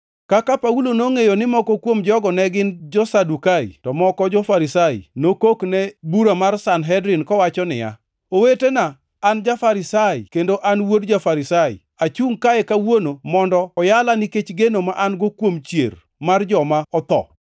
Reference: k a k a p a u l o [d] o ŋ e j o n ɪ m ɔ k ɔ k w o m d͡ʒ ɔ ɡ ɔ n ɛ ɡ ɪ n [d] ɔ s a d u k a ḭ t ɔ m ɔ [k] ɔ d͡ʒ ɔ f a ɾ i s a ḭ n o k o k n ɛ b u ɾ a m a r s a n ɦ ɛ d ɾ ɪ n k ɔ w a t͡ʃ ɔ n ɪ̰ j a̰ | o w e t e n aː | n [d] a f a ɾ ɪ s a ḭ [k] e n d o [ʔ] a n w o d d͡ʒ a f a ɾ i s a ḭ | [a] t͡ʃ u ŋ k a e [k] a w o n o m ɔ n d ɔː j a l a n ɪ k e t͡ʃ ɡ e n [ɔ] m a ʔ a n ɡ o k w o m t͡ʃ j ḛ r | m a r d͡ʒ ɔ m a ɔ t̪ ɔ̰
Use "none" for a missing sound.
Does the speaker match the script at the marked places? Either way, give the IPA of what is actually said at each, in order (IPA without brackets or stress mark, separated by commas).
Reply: n, d͡ʒ, k, d͡ʒ, k, ʔ, a, k, o